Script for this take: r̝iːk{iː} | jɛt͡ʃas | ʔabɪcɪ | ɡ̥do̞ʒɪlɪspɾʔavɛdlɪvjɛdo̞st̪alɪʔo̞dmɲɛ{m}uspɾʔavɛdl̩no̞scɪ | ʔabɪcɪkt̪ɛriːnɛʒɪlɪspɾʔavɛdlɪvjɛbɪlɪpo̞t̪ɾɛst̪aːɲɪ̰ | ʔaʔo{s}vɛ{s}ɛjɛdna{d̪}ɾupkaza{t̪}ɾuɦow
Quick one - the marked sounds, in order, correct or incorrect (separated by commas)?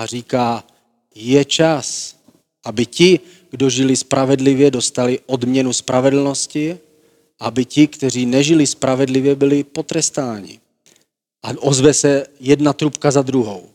incorrect, incorrect, incorrect, correct, incorrect, incorrect